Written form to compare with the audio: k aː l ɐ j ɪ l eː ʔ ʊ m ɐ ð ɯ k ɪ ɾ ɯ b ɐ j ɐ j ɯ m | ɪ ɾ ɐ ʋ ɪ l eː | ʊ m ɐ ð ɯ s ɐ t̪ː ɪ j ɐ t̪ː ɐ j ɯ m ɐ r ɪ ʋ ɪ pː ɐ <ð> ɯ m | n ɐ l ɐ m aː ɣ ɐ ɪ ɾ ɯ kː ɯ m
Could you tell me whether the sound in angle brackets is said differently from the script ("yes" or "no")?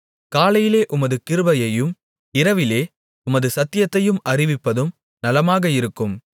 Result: no